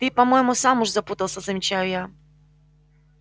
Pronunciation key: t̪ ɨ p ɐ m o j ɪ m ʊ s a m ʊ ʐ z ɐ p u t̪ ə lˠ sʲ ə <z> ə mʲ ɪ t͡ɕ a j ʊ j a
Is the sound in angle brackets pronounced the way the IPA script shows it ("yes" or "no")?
yes